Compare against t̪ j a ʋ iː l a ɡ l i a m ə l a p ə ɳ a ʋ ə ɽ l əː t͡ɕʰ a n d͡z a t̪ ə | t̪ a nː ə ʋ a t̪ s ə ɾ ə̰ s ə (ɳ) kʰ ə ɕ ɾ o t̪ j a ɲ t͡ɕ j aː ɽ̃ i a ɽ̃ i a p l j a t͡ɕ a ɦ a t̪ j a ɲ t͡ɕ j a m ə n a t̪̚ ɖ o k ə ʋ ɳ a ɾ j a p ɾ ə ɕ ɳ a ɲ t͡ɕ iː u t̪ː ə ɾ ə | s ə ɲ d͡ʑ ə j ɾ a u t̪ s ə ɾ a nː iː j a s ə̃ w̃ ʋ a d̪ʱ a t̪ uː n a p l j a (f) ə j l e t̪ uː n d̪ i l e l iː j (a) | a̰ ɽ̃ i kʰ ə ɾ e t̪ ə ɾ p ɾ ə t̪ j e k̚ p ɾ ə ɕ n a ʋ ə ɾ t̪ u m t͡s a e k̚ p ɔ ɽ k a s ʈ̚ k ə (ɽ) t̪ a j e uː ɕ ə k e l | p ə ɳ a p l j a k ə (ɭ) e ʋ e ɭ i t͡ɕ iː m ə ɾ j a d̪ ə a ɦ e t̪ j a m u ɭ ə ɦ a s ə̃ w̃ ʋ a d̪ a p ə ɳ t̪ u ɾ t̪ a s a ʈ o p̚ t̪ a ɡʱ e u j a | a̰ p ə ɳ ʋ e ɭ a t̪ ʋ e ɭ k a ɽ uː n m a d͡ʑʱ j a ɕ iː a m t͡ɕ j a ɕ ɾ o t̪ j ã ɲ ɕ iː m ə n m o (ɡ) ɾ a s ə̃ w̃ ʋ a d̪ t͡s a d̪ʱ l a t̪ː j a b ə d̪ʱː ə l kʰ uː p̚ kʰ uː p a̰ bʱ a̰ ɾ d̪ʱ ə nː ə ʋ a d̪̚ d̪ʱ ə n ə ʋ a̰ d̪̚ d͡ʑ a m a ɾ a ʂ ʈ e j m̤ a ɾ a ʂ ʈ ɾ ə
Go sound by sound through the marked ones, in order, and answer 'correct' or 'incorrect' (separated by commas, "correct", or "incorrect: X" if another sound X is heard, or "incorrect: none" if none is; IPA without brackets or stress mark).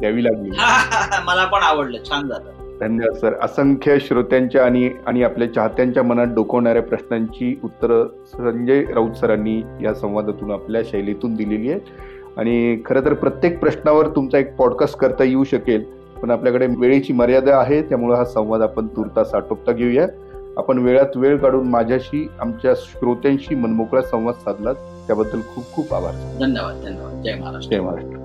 incorrect: ŋ, incorrect: ɕ, incorrect: e, incorrect: ɾ, incorrect: ɽ, incorrect: k